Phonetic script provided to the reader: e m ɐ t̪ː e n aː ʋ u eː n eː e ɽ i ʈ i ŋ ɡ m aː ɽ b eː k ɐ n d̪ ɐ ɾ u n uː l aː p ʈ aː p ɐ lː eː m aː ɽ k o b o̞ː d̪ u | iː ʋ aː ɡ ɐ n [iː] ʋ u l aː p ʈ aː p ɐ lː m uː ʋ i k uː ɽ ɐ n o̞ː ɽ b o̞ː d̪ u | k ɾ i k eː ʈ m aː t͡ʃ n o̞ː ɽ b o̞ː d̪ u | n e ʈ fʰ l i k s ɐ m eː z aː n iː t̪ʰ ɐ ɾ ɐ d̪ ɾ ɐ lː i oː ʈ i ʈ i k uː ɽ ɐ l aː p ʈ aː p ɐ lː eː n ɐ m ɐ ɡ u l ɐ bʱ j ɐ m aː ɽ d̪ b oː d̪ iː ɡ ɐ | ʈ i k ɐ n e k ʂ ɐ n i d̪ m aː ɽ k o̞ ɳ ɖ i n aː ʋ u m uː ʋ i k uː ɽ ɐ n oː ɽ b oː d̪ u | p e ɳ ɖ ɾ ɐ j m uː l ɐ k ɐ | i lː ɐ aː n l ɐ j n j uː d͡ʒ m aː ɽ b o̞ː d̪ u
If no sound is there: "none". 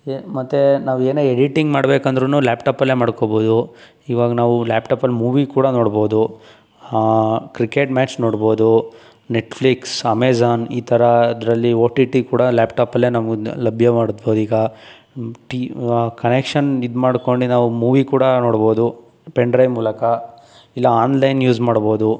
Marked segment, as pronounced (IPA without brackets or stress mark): aː